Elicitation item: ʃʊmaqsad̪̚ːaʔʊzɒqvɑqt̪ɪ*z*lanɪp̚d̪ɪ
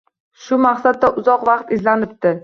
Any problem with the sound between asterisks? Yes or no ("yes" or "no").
no